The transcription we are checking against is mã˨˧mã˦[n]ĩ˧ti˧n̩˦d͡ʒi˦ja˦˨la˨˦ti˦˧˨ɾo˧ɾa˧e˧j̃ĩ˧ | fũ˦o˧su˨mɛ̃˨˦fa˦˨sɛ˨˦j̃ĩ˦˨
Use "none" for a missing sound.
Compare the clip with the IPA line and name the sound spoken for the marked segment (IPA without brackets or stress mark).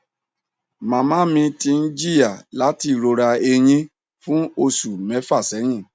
m